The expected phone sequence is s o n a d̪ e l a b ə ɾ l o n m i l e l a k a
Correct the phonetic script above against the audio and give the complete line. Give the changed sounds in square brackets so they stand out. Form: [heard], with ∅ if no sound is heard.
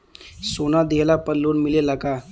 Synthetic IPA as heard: s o n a d̪ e l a [p] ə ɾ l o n m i l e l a k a